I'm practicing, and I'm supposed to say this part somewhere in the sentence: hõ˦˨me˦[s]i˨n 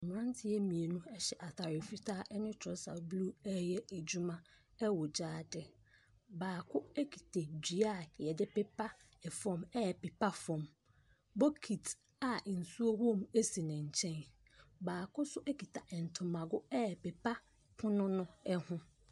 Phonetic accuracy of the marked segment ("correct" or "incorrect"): correct